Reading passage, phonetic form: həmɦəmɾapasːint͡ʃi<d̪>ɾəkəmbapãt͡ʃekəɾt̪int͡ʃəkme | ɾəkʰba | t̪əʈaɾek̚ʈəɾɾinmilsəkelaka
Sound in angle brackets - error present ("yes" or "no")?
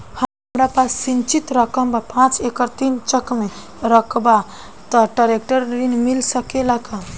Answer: yes